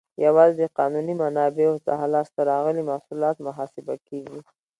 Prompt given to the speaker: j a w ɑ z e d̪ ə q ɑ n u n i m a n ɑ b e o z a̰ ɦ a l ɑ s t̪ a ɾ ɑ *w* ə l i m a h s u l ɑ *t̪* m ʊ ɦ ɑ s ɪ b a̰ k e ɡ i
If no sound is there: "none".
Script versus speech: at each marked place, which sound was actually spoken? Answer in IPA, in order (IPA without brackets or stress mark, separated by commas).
ɣ, t̪